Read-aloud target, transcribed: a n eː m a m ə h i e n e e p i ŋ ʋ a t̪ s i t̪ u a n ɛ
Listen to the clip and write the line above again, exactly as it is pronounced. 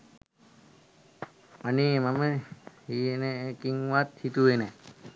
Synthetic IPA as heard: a n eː m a m ə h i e n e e k i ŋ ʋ a t̪ h i t̪ u e n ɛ